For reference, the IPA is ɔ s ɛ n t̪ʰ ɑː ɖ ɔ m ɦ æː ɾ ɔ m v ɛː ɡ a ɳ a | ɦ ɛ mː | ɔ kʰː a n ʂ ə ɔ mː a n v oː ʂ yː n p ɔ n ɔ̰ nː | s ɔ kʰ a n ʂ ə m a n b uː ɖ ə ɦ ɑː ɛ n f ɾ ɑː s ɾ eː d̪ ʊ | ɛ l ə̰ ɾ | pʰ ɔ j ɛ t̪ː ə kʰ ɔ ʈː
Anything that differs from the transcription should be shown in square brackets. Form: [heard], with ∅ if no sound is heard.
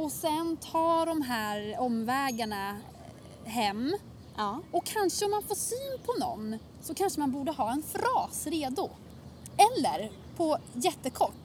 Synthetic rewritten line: ɔ s ɛ n t̪ʰ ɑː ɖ ɔ m ɦ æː ɾ ɔ m v ɛː ɡ a ɳ a | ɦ ɛ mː | ɔ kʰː a n ʂ ə ɔ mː a n [f] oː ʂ yː n [pʰ] ɔ n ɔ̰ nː | s ɔ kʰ a n ʂ ə m a n b uː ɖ ə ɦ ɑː ɛ n f ɾ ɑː s ɾ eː d̪ ʊ | ɛ [lː] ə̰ ɾ | pʰ ɔ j ɛ t̪ː ə kʰ ɔ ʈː